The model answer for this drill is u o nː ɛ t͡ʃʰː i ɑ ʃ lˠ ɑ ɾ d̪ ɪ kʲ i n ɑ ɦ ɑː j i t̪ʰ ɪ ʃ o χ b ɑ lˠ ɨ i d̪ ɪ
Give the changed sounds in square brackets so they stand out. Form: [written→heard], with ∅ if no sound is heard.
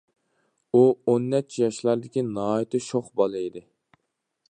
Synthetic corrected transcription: u o nː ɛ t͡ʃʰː [i→j] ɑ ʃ lˠ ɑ ɾ d̪ ɪ kʲ i n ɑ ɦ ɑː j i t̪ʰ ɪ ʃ o χ b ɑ lˠ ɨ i d̪ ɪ